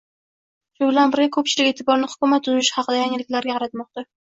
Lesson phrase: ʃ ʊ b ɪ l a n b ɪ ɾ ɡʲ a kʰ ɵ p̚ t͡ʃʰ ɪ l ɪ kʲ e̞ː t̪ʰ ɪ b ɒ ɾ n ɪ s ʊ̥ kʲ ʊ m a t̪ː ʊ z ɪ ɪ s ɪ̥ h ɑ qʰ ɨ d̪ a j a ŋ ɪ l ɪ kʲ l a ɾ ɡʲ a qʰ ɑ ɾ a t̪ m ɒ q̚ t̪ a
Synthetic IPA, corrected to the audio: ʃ ʊ b ɪ l a n b ɪ ɾ ɡʲ a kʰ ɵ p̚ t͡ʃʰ ɪ l ɪ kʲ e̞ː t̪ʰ ɪ b ɒ ɾ n ɪ h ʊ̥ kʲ ʊ m a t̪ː ʊ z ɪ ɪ ʃ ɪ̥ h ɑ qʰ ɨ d̪ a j a ŋ ɪ l ɪ kʲ l a ɾ ɡʲ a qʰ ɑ ɾ a t̪ m ɒ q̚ t̪ a